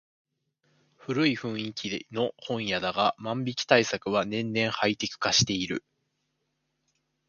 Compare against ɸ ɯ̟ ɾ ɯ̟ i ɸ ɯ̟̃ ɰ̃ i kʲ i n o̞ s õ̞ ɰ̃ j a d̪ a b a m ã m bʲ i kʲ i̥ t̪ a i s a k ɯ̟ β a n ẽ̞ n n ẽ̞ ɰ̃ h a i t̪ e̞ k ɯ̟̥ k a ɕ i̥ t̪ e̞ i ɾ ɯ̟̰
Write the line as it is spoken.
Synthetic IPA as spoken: ɸ ɯ̟ ɾ ɯ̟ i ɸ ɯ̟̃ ɰ̃ i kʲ i n o̞ h õ̞ ɰ̃ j a d̪ a ɡ a m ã m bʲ i kʲ i̥ t̪ a i s a k ɯ̟ β a n ẽ̞ n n ẽ̞ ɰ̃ h a i t̪ e̞ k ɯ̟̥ k a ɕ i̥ t̪ e̞ i ɾ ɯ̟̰